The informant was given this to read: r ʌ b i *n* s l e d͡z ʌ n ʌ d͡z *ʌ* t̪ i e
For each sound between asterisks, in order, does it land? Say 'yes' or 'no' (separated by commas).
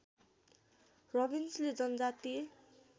yes, no